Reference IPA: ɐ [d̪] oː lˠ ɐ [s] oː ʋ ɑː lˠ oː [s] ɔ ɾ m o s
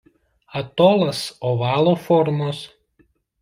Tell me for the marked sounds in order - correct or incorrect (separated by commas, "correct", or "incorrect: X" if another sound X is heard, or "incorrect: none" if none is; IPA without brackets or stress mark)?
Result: incorrect: t̪, correct, incorrect: f